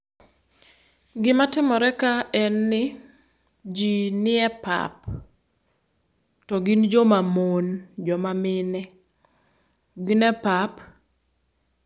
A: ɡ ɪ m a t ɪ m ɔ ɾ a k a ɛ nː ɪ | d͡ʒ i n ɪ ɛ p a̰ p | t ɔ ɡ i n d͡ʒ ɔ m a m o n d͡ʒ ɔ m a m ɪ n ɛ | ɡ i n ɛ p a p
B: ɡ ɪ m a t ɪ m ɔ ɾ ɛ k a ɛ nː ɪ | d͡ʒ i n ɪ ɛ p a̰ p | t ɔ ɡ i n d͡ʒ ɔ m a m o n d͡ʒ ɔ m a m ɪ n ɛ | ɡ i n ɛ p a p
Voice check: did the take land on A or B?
B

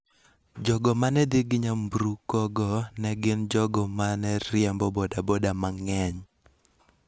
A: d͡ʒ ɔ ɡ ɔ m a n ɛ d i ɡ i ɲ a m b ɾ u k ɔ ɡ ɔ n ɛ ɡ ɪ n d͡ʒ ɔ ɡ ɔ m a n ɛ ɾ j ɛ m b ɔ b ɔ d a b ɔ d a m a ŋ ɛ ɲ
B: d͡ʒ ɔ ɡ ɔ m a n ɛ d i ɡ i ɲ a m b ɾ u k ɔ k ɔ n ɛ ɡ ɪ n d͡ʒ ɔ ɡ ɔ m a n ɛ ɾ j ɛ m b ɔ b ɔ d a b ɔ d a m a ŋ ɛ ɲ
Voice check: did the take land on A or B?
A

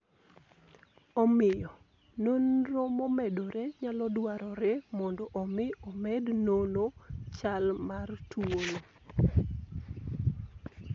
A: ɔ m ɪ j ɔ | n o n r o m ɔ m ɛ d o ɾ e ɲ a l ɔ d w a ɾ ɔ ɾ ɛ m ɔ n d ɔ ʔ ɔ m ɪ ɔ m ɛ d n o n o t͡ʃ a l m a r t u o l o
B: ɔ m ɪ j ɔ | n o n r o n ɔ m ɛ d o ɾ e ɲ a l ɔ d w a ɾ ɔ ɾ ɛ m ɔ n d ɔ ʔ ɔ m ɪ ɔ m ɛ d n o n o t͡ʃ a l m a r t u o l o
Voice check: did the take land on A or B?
A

